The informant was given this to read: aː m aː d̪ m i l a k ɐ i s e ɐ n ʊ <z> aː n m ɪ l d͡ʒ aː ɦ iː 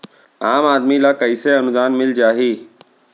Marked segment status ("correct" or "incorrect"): correct